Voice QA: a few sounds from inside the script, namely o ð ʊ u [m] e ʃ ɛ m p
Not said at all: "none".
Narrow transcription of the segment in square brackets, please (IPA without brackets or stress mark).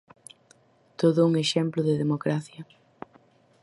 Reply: ŋ